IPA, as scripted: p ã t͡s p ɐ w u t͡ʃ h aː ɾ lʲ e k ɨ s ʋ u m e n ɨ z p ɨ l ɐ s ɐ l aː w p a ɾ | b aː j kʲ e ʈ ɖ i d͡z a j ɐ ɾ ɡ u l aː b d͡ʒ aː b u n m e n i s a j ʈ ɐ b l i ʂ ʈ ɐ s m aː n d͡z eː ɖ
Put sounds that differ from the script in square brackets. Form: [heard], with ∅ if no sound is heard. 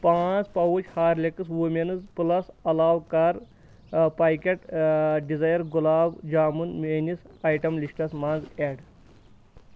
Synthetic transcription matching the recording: p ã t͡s p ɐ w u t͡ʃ h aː ɾ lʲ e k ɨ s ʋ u m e n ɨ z p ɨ l ɐ s ɐ l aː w [k] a ɾ | [p] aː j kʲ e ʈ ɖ i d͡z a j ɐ ɾ ɡ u l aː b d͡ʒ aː [m] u n m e n i s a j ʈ ɐ [m] l i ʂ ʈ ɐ s m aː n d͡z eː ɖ